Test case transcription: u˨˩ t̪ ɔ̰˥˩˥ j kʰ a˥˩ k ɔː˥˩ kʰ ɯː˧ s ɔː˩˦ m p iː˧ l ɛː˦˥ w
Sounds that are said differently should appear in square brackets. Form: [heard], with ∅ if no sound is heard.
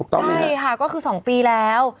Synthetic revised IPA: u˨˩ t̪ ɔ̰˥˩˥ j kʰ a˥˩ k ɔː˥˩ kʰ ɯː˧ s ɔː˩˦ [ŋ] p iː˧ l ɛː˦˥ w

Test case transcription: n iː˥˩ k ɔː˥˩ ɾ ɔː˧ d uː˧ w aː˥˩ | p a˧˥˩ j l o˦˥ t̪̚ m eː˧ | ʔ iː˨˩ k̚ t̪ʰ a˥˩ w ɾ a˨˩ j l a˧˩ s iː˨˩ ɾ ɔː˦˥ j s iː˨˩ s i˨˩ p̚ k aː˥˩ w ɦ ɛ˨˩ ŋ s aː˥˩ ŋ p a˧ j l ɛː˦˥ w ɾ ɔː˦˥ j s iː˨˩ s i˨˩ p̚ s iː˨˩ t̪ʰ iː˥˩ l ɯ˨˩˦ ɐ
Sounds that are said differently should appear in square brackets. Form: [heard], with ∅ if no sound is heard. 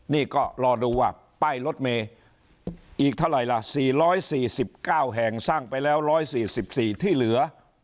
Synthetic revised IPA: n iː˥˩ k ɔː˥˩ ɾ ɔː˧ d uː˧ w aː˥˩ | p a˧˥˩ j l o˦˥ t̪̚ m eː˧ | ʔ iː˨˩ k̚ t̪ʰ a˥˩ w ɾ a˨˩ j l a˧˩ s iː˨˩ ɾ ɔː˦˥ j s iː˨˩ s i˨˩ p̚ k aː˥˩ w ɦ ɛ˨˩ ŋ s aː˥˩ ŋ p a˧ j l ɛː˦˥ w ɾ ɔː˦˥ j s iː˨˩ s i˨˩ p̚ s iː˨˩ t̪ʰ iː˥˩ l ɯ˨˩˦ ɐ

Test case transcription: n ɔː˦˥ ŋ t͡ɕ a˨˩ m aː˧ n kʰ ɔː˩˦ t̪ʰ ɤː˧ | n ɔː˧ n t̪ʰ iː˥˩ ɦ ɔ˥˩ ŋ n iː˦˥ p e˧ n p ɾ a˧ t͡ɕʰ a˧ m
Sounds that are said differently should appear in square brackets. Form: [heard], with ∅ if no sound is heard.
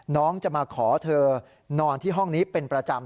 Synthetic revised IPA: n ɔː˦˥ ŋ t͡ɕ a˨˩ m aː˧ [∅] kʰ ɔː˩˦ t̪ʰ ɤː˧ | n ɔː˧ n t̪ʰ iː˥˩ ɦ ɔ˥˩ ŋ n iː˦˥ p e˧ n p ɾ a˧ [t͡ɕ] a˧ m

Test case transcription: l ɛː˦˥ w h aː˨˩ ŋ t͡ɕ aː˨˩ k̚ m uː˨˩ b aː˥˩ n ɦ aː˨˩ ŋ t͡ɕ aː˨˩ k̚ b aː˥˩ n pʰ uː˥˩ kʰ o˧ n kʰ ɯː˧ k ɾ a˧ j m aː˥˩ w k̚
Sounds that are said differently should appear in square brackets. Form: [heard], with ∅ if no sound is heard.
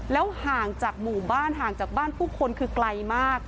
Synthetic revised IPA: l ɛː˦˥ w h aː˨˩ ŋ t͡ɕ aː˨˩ k̚ m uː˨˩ b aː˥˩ n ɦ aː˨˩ ŋ t͡ɕ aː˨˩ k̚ b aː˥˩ n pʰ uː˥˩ kʰ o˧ n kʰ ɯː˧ k [l] a˧ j m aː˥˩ [∅] k̚

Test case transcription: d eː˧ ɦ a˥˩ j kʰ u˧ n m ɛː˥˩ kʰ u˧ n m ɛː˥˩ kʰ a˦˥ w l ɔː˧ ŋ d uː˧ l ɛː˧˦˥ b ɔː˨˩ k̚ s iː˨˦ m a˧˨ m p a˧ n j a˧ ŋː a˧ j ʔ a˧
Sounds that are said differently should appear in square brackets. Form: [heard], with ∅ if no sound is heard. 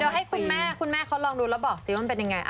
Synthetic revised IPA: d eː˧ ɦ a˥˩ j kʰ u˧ n m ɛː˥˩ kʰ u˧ n m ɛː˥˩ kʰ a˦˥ w l ɔː˧ ŋ d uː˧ l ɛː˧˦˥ b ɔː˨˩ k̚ s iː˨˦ m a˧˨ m p [e˧] n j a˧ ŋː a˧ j ʔ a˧

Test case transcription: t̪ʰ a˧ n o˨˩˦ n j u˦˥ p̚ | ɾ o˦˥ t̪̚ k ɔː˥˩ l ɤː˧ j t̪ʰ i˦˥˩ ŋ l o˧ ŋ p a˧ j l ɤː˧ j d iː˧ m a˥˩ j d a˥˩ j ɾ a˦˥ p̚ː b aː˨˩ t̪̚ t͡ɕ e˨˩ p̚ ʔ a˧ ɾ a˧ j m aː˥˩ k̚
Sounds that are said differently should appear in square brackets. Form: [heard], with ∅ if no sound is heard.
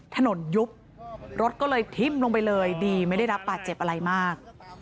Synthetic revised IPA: t̪ʰ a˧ n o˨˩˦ n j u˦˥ p̚ | ɾ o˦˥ t̪̚ k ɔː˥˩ l ɤː˧ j t̪ʰ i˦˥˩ [m] l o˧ ŋ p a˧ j l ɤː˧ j d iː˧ m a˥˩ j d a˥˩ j ɾ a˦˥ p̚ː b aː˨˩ t̪̚ t͡ɕ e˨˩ p̚ ʔ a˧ ɾ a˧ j m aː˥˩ k̚

